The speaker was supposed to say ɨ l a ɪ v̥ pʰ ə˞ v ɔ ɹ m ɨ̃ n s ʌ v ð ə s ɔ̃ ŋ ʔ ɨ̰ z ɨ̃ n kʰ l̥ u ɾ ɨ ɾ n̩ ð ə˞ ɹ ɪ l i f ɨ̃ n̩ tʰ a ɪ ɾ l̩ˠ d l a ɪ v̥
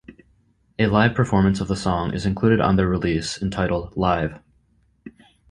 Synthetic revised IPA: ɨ l a ɪ v̥ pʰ ə˞ f ɔ ɹ m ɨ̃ n s ʌ v ð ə s ɔ̃ ŋ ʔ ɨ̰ z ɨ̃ n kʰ l̥ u ɾ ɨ ɾ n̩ ð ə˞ ɹ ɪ l i s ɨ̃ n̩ tʰ a ɪ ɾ l̩ˠ d l a ɪ v̥

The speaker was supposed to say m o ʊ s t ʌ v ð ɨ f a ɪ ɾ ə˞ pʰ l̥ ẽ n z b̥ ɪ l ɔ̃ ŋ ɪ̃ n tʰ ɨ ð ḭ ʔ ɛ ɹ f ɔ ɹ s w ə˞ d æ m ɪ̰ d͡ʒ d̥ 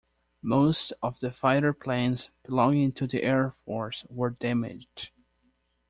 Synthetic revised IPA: m o ʊ s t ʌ v ð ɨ f a ɪ ɾ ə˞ pʰ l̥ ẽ n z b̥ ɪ l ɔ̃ ŋ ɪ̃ ŋ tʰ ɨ ð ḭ ʔ ɛ ɹ f ɔ ɹ s w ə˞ d æ m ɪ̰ d͡ʒ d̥

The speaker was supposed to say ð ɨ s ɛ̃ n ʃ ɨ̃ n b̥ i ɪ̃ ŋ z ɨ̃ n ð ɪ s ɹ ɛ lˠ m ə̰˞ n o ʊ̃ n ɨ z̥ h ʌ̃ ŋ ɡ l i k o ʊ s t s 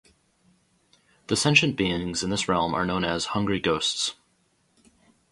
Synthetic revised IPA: ð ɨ s ɛ̃ n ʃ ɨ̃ n b̥ i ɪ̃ ŋ z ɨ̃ n ð ɪ s ɹ ɛ lˠ m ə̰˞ n õ ʊ̃ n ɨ z̥ h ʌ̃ ŋ ɡ ɹ i ɡ o ʊ s t s

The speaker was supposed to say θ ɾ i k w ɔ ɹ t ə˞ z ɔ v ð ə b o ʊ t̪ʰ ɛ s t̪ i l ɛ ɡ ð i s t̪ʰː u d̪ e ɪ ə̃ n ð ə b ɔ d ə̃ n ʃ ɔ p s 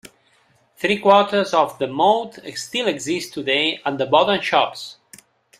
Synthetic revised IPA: θ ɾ i k w ɔ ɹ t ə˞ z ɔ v ð ə m o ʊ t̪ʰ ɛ s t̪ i l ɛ ɡ z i s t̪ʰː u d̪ e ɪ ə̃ n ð ə b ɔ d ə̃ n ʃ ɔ p s

